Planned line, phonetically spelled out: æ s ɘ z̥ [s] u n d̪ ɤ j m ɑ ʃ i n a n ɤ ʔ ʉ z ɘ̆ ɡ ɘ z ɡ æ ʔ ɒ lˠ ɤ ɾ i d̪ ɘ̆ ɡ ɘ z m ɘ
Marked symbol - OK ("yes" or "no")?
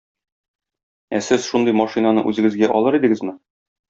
no